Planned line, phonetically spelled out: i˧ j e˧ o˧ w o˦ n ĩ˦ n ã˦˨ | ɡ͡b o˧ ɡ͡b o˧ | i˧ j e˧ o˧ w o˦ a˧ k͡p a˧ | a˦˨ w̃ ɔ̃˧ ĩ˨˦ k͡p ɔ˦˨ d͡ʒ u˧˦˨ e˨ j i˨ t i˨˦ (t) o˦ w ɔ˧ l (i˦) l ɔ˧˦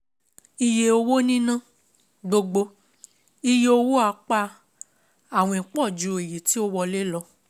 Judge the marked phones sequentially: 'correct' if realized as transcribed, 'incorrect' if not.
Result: incorrect, incorrect

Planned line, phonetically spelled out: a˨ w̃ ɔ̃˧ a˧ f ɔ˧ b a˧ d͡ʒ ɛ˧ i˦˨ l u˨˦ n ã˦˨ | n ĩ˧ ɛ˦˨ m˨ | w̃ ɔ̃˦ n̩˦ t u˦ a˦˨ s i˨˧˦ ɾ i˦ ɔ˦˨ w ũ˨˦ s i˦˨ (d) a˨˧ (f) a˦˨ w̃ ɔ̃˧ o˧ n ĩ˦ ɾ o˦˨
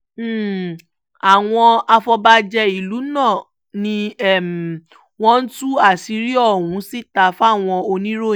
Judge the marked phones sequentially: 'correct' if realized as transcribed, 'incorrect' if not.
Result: incorrect, correct

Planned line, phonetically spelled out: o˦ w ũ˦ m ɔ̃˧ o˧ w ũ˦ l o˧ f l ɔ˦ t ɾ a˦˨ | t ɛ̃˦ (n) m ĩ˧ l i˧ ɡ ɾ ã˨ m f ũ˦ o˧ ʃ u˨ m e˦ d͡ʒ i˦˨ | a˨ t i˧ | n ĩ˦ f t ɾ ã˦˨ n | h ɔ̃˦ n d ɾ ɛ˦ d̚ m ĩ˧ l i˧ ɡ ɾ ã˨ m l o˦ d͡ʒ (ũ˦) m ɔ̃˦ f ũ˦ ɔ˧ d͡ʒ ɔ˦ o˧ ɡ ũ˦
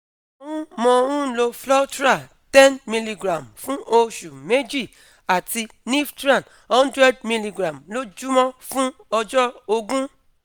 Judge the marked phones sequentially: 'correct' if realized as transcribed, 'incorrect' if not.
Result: correct, incorrect

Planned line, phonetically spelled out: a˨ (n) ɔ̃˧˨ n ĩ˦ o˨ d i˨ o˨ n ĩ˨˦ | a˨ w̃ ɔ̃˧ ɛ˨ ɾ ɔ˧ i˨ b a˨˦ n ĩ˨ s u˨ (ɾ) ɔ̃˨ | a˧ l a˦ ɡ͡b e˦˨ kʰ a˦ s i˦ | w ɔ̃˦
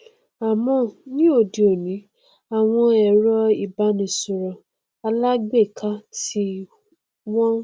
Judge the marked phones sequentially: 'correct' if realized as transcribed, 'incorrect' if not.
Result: incorrect, correct

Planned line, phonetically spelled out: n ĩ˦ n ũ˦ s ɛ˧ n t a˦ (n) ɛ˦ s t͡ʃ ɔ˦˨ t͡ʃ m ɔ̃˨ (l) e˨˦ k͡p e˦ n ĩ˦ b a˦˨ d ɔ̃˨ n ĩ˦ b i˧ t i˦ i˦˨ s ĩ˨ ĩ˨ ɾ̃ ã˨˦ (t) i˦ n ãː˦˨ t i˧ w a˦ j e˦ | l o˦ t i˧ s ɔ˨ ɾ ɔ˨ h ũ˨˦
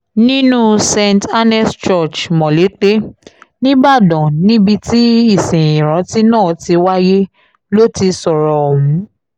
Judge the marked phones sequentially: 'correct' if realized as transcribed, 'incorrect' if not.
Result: correct, correct, correct

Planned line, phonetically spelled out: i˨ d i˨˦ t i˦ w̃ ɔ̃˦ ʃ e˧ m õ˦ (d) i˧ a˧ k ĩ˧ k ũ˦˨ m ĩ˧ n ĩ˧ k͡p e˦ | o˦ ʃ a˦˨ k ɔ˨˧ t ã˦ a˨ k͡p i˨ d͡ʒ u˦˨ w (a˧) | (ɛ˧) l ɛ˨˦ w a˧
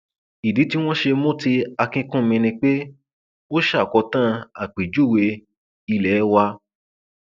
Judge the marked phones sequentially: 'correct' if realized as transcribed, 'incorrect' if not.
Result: incorrect, incorrect, incorrect

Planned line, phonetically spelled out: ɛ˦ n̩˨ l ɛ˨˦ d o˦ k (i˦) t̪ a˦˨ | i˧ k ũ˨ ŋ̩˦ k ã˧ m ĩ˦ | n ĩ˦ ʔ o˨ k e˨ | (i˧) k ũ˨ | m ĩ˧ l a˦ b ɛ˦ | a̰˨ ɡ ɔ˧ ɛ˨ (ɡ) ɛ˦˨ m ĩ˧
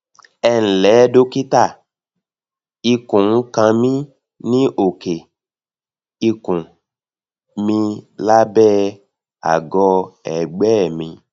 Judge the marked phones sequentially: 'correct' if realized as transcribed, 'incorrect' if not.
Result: correct, correct, incorrect

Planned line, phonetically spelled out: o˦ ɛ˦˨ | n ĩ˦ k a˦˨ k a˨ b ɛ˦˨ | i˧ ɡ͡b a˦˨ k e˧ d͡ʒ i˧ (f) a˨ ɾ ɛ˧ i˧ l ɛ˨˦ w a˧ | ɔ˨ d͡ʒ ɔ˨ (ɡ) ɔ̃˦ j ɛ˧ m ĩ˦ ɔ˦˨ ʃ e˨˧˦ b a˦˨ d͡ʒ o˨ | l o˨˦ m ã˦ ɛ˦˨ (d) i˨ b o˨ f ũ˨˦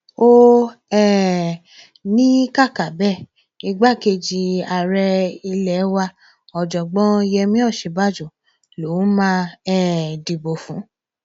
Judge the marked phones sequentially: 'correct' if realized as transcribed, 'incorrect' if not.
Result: incorrect, incorrect, correct

